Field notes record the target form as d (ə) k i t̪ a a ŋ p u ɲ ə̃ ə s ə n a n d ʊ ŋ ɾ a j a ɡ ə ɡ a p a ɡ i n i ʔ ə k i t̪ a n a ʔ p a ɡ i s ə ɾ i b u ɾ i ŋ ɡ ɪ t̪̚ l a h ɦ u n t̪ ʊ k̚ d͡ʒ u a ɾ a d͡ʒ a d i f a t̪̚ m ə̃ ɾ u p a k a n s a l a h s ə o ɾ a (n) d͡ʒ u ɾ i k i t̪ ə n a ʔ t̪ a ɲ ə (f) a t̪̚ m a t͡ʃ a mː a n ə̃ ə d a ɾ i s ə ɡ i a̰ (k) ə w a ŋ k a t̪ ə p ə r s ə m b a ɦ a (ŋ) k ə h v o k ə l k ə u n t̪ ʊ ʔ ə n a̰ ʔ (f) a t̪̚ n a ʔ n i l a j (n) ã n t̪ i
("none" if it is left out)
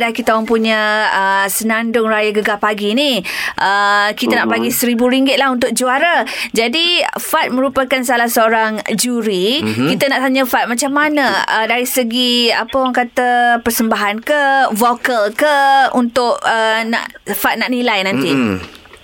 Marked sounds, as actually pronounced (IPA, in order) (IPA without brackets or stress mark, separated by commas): a, ŋ, f, p, n, f, n